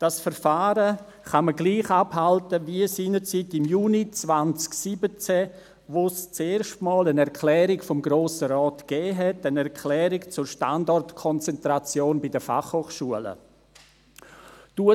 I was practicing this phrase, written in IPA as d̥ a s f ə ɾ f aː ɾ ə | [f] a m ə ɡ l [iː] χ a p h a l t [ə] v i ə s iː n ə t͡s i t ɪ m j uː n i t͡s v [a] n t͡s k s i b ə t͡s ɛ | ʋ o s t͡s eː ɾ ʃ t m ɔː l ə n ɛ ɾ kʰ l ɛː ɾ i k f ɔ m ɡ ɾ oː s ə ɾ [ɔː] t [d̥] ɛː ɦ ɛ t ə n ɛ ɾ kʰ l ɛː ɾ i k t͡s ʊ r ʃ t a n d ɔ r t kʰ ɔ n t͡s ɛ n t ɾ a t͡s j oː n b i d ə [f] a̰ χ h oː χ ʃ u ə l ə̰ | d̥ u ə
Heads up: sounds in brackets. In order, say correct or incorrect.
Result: incorrect: χ, correct, correct, correct, correct, incorrect: ɡ̥, correct

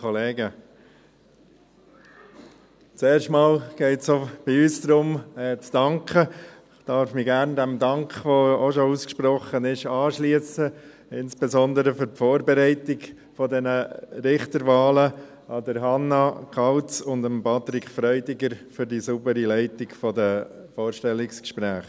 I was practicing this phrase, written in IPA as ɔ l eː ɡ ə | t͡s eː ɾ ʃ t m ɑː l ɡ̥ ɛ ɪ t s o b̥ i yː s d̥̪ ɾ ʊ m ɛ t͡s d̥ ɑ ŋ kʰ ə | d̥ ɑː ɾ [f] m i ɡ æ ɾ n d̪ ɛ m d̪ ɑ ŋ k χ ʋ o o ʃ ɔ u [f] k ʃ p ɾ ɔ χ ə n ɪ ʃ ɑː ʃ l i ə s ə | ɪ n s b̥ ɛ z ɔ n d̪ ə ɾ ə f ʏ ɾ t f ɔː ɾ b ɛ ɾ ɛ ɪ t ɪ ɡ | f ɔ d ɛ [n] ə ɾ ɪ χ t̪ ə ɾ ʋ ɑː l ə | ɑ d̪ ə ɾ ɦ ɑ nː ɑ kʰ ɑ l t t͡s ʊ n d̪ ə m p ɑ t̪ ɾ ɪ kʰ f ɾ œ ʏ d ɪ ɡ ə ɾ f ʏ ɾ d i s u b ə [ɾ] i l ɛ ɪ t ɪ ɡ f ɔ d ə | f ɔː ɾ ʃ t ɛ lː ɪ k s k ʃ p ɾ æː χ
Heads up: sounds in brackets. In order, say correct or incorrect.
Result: correct, incorrect: s, correct, correct

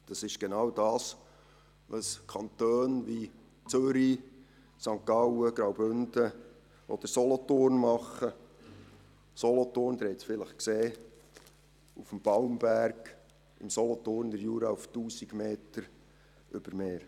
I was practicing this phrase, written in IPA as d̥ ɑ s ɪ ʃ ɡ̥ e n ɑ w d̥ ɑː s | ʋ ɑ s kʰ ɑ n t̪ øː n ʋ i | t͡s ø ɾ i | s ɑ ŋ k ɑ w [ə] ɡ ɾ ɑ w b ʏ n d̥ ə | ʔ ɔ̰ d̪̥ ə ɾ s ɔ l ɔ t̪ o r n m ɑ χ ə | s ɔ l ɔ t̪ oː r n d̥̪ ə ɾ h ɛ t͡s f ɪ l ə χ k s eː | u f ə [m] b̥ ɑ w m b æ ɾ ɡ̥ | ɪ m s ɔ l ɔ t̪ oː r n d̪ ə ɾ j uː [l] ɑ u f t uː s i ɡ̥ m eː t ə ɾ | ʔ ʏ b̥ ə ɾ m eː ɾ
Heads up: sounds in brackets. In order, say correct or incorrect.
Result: correct, correct, incorrect: ɾ

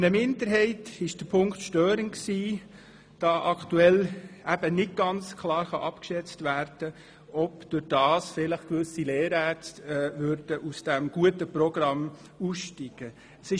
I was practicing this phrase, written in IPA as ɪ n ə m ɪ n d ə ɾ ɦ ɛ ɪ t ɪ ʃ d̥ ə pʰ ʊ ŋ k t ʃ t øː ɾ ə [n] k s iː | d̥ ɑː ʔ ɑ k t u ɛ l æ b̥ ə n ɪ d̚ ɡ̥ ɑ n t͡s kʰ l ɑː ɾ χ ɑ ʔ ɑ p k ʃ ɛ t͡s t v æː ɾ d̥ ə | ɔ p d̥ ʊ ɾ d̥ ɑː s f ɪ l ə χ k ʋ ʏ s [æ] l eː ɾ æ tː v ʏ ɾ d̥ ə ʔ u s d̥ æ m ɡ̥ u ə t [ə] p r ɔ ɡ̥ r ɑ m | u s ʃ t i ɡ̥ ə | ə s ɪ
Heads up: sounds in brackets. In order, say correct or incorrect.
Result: correct, incorrect: i, correct

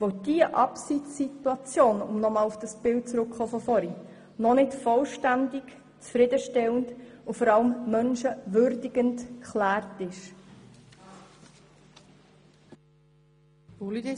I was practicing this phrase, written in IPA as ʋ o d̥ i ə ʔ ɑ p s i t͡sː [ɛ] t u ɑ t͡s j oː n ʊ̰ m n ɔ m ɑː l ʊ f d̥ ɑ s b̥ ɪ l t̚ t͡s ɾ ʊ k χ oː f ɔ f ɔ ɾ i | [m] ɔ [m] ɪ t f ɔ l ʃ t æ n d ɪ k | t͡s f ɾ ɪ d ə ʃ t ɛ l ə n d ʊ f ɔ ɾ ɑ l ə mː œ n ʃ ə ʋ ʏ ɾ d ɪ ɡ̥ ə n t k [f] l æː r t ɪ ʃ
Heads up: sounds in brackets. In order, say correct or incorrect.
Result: incorrect: i, incorrect: n, incorrect: n, incorrect: χ

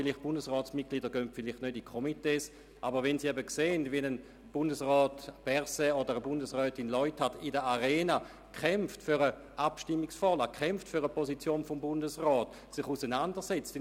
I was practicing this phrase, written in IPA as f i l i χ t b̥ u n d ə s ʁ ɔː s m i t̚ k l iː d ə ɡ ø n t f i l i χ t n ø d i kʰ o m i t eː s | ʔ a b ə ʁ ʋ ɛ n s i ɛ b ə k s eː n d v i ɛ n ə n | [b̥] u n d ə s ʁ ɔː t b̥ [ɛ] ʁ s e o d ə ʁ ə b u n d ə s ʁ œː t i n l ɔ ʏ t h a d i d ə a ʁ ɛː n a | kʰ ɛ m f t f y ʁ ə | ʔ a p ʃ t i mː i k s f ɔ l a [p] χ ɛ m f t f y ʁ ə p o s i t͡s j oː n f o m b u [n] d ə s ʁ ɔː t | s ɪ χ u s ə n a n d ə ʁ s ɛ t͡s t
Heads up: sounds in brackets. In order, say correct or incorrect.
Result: correct, correct, incorrect: k, correct

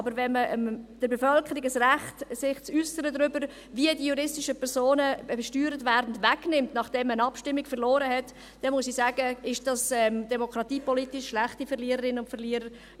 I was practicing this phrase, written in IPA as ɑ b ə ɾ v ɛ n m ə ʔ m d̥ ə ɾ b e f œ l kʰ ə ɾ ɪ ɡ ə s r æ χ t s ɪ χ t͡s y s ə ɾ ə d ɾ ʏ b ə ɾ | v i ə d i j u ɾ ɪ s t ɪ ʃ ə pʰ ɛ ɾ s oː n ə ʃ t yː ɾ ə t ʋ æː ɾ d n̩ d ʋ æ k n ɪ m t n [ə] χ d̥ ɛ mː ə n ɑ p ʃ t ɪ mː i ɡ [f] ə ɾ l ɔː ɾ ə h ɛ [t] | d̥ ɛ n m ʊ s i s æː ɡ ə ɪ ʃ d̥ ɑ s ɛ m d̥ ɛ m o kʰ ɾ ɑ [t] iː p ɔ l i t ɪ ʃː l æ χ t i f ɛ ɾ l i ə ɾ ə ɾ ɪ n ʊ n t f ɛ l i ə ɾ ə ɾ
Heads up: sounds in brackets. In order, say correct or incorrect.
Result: incorrect: ɑ, correct, correct, correct

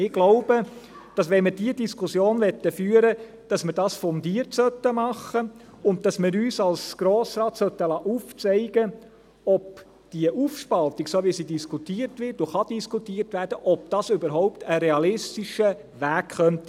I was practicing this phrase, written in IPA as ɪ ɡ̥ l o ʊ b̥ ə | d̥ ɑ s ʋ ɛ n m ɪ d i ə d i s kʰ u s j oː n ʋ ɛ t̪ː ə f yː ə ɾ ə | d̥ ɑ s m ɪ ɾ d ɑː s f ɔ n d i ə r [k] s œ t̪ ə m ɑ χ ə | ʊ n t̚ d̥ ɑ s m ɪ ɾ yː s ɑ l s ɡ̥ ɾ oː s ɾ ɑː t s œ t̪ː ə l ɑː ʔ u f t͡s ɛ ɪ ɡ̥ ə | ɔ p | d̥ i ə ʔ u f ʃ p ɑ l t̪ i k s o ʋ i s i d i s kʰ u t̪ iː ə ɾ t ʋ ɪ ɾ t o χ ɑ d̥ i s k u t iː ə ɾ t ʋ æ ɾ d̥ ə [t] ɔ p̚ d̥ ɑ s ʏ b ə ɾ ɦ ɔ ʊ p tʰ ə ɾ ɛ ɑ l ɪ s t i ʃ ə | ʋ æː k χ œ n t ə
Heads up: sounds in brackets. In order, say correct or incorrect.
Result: incorrect: t, incorrect: ʔ

